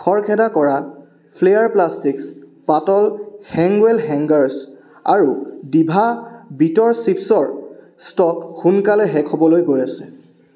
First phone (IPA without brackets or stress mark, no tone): kʰ